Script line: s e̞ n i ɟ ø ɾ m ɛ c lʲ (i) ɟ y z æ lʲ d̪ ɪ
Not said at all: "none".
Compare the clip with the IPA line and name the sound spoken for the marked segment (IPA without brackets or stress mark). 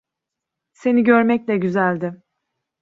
ɛ